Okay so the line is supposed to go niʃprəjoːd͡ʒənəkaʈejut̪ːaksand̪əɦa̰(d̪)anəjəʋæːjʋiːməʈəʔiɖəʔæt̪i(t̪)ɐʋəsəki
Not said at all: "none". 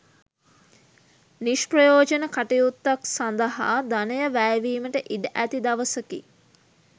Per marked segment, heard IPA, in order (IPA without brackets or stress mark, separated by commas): d̪, d̪